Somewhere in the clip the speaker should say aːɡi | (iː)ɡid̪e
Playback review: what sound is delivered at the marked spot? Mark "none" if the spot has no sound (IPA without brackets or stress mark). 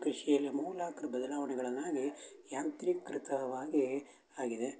aː